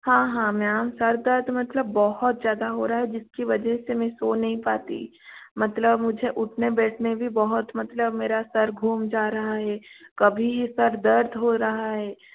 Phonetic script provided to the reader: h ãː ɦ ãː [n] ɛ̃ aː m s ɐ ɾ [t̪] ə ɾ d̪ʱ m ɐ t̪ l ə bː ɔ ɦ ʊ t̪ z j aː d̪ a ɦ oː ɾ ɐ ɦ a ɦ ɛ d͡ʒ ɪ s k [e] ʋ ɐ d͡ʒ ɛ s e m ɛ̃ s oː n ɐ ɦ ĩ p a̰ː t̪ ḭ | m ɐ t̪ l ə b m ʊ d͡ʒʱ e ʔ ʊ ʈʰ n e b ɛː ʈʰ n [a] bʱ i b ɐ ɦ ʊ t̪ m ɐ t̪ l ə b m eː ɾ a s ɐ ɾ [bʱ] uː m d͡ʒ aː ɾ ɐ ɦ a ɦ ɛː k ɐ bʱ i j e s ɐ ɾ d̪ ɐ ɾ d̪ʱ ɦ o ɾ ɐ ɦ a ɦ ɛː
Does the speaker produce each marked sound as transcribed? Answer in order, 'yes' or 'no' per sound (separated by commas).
no, no, no, no, no